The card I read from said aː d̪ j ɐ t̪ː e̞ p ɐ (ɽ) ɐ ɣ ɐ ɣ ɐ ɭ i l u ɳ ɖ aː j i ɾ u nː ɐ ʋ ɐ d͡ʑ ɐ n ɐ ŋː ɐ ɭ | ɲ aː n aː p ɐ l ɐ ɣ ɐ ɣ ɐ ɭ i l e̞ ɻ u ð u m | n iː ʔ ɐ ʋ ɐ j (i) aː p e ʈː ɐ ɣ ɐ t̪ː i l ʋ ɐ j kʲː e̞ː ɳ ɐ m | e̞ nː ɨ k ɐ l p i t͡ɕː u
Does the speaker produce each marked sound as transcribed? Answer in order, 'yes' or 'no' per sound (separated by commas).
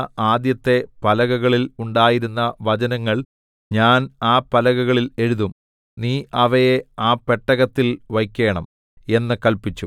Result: no, no